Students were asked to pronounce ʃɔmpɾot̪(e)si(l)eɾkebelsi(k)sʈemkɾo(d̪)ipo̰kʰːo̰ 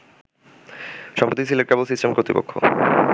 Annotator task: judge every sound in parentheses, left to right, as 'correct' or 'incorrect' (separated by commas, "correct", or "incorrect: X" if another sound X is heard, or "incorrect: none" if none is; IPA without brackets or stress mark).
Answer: incorrect: i, correct, incorrect: none, incorrect: t̪